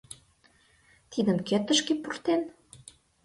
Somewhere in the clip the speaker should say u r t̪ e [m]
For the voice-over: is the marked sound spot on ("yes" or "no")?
no